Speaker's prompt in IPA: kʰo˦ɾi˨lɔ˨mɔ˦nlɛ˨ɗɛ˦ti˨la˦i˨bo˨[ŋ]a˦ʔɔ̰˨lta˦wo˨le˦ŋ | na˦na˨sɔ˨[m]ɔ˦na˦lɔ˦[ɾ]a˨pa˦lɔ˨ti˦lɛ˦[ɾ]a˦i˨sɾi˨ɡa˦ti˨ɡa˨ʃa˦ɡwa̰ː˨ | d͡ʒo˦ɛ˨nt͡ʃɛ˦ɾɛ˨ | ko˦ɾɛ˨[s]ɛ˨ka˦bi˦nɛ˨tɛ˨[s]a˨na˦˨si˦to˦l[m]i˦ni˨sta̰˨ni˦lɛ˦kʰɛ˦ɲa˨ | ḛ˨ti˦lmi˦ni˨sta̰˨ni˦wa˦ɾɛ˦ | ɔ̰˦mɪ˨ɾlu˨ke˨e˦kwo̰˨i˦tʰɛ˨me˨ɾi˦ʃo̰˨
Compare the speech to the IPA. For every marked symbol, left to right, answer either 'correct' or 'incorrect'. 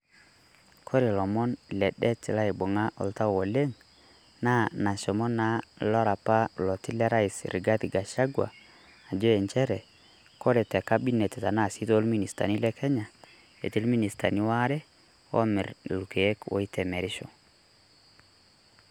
correct, correct, correct, correct, incorrect, incorrect, correct

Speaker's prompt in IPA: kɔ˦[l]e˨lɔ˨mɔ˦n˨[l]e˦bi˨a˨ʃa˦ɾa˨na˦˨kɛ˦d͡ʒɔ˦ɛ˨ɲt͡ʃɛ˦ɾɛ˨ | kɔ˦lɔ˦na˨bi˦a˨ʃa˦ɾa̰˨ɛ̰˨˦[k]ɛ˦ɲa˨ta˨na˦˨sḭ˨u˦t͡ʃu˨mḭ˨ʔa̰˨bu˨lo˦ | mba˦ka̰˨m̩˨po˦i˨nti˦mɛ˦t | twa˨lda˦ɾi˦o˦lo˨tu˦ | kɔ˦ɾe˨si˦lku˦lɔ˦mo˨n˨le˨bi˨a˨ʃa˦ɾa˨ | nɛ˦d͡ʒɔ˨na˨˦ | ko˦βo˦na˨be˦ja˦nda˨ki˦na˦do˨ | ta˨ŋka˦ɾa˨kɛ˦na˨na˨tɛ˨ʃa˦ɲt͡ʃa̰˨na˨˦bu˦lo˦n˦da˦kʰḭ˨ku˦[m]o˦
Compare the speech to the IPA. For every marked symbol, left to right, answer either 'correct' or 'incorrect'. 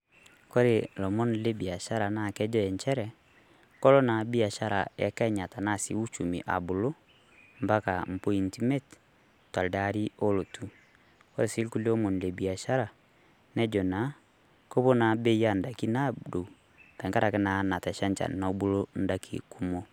incorrect, correct, correct, correct

